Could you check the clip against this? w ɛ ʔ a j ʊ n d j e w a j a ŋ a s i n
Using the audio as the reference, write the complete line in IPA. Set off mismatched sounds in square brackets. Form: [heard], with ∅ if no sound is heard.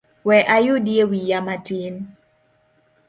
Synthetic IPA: w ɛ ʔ a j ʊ [∅] d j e w [i] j a [m] a [t] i n